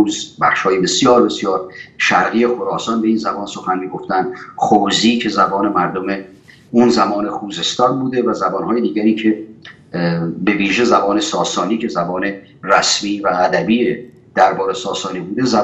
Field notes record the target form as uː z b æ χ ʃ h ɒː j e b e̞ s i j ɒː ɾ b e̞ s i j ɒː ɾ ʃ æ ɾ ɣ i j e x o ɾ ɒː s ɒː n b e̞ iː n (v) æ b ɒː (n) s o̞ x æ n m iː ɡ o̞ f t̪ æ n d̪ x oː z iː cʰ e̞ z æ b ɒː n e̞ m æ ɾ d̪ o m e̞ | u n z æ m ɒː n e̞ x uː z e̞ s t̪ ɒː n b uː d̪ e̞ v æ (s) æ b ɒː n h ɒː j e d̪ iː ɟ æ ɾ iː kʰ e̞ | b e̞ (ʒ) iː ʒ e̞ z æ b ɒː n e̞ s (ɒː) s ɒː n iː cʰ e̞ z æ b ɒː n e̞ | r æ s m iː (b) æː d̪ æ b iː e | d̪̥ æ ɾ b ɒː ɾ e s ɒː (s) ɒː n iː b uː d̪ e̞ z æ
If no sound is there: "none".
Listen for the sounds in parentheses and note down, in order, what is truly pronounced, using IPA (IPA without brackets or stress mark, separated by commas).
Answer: z, n, z, v, ɒː, v, s